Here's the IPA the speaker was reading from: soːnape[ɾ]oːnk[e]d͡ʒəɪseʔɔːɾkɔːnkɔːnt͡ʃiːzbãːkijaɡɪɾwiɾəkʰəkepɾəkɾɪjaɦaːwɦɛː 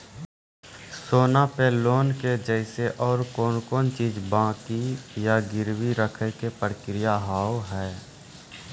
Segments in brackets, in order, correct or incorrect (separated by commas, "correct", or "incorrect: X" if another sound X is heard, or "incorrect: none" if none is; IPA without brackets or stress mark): incorrect: l, correct